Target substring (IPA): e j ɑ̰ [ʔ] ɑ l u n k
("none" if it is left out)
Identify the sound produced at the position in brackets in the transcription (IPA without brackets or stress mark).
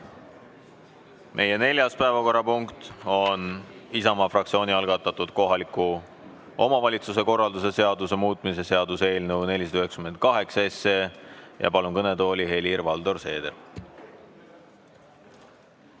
p